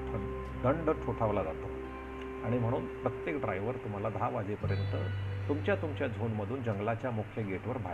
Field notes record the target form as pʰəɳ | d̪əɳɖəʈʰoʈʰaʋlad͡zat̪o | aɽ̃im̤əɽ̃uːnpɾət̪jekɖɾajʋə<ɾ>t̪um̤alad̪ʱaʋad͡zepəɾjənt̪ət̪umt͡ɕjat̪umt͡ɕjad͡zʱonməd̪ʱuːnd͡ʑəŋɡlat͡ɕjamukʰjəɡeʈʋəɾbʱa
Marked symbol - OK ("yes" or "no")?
yes